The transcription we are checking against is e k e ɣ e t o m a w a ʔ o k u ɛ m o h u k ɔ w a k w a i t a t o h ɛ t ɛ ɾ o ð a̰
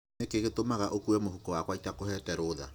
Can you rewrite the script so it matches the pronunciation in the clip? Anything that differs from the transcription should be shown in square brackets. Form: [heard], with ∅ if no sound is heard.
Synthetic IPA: e k e ɣ e t o m a [ɣ] a ʔ o k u ɛ m o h u k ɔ w a k w a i t a [k] o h ɛ t ɛ ɾ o ð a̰